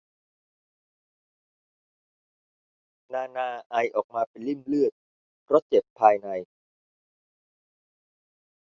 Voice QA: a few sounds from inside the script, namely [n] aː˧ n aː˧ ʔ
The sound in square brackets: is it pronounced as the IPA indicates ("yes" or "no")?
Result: yes